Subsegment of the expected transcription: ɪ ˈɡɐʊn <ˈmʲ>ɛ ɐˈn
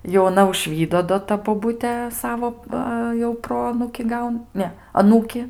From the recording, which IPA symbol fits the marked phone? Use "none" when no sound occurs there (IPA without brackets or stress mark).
nʲ